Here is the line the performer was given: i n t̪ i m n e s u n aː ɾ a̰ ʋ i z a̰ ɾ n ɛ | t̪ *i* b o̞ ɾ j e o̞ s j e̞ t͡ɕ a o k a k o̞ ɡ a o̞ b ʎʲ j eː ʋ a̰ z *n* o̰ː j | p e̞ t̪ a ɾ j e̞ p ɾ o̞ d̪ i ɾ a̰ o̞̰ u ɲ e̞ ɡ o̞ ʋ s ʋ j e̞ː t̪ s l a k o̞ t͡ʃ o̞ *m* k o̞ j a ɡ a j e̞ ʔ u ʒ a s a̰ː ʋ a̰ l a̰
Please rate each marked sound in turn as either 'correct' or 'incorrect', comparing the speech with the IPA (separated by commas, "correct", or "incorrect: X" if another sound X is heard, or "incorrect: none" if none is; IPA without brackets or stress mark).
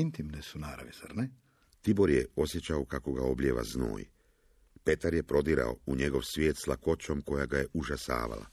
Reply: correct, correct, correct